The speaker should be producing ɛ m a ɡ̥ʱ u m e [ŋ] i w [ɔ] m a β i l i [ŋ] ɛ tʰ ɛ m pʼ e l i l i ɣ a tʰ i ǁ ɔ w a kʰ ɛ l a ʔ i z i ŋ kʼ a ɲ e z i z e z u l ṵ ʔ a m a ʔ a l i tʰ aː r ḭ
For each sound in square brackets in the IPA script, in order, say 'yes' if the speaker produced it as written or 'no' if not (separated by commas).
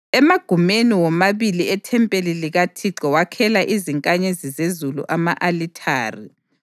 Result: no, yes, no